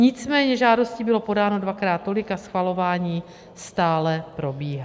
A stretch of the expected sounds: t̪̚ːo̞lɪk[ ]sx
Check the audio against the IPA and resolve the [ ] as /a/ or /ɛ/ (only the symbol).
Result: a